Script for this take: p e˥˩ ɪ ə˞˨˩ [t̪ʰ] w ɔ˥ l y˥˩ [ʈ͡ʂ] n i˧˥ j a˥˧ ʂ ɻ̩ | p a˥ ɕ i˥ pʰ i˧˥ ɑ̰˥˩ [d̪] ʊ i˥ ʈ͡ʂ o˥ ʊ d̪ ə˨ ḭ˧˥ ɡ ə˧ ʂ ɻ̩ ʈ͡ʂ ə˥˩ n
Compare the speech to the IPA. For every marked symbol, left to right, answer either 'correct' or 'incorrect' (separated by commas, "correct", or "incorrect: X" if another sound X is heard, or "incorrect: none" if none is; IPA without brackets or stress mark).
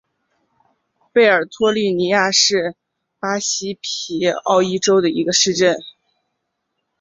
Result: correct, incorrect: none, incorrect: none